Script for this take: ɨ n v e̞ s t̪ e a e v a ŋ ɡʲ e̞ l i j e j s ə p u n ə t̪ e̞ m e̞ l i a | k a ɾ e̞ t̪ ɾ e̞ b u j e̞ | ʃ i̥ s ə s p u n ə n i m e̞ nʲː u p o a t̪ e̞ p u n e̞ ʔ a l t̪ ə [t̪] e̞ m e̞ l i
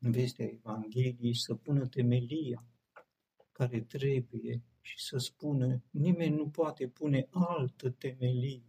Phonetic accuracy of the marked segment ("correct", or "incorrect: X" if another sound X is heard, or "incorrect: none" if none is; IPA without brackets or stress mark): correct